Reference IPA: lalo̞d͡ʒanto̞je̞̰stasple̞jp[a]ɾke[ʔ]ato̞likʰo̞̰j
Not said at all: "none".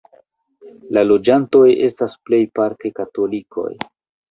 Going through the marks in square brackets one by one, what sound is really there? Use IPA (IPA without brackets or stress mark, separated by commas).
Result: a, k